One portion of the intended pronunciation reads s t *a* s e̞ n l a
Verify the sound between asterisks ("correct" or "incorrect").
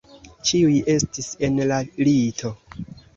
incorrect